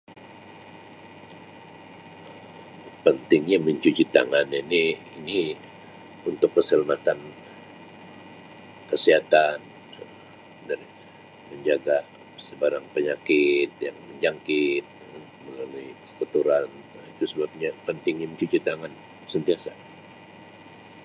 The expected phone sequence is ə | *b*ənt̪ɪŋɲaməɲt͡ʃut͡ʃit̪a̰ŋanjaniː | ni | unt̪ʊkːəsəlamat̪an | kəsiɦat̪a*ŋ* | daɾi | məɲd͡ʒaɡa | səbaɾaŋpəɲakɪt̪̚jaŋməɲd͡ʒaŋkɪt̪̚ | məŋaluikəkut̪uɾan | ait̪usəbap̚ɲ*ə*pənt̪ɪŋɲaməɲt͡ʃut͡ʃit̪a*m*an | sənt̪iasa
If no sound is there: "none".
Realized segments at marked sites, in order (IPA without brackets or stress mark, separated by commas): p, n, a, ŋ